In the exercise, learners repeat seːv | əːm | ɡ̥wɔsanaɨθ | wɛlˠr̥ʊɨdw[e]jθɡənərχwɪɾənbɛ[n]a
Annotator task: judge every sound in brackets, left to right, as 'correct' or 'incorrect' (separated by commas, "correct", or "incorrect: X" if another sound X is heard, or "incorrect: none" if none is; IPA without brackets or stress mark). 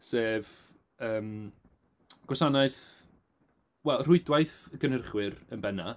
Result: incorrect: a, correct